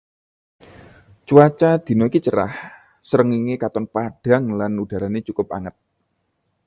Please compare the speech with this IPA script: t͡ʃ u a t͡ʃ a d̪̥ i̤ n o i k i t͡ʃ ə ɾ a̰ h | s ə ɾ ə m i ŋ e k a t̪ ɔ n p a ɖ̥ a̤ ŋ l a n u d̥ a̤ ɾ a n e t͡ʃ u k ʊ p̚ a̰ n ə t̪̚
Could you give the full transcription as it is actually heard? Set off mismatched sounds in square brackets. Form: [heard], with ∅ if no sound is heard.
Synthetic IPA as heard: t͡ʃ u a t͡ʃ a d̪̥ i̤ n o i k i t͡ʃ ə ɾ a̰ h | s ə ɾ ə [ŋ] i ŋ e k a t̪ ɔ n p a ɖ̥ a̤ ŋ l a n u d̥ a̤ ɾ a n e t͡ʃ u k ʊ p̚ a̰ [ŋ] ə t̪̚